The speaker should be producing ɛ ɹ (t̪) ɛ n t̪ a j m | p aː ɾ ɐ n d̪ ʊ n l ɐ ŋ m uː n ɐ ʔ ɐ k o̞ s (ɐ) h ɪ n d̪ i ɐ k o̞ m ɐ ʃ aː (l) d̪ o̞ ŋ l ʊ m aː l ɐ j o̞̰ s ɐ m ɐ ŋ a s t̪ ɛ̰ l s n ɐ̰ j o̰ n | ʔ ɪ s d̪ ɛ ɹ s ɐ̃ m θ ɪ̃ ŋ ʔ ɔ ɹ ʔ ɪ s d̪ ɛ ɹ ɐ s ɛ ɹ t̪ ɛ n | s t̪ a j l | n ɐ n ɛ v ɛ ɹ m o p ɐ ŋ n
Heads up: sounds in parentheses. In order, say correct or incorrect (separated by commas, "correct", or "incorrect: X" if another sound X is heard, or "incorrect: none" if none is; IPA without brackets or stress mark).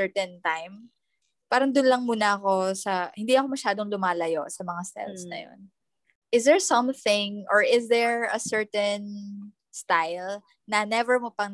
correct, correct, incorrect: none